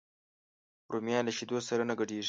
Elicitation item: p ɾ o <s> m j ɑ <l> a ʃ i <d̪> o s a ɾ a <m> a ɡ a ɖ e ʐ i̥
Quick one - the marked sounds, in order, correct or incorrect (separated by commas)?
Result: incorrect, correct, correct, incorrect